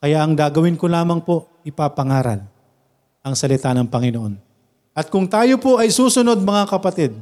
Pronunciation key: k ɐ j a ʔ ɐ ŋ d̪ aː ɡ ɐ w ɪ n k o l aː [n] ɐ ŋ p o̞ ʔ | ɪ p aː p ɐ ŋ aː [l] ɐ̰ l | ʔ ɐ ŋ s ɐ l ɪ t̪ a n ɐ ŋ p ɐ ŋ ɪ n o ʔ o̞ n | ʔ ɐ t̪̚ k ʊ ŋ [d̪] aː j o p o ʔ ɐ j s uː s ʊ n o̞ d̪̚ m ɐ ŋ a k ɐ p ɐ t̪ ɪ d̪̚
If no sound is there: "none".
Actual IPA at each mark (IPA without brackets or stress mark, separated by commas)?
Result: m, ɾ, t̪